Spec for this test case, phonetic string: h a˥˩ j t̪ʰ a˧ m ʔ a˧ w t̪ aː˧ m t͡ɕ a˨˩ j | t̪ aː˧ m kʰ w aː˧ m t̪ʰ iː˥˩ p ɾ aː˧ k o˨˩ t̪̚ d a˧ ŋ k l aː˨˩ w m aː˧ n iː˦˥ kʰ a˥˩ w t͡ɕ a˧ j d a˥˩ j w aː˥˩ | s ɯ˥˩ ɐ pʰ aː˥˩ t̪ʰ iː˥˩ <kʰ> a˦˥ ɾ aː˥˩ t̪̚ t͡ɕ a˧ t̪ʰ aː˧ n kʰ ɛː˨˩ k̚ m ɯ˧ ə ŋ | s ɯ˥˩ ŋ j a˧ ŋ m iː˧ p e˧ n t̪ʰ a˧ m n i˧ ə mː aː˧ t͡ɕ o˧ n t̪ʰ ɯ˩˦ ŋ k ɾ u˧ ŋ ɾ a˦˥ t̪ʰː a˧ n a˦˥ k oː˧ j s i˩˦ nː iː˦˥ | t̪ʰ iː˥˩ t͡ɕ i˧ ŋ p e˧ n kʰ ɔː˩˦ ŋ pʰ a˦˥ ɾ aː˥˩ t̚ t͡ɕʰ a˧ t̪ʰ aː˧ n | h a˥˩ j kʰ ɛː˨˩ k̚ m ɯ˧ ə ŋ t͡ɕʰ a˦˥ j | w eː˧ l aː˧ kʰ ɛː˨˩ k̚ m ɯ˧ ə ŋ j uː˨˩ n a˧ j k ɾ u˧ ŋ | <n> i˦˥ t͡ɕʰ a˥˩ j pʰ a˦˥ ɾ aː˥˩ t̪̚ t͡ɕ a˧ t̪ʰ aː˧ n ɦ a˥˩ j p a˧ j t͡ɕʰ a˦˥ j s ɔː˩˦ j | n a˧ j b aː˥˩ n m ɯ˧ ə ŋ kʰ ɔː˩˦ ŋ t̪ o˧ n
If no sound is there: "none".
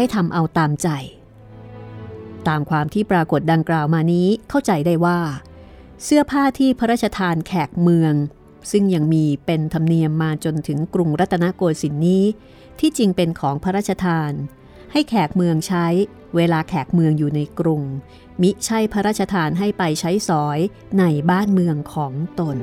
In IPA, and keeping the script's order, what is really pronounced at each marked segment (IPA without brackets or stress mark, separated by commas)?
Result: pʰ, m